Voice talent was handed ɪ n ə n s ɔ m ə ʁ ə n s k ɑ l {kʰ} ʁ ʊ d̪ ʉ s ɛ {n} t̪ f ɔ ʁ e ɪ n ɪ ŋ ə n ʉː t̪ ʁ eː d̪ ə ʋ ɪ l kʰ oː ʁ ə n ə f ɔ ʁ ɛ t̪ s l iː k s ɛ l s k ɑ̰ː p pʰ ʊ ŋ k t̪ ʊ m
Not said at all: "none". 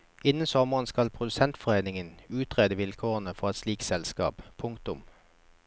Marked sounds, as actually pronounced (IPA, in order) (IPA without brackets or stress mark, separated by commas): pʰ, n